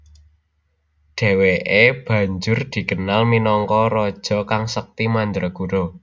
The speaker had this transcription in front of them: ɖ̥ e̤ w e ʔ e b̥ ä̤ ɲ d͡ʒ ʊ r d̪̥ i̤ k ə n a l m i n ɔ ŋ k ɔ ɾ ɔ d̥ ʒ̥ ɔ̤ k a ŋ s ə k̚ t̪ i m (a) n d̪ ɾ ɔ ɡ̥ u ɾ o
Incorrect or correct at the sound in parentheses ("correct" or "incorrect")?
correct